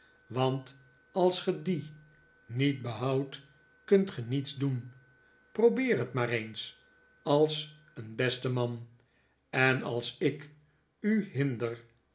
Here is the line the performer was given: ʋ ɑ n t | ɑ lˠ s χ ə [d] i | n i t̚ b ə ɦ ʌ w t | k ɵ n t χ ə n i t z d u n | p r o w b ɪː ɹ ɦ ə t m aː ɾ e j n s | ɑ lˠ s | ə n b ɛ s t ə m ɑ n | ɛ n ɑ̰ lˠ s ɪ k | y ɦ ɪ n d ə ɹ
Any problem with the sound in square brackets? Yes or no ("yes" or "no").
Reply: no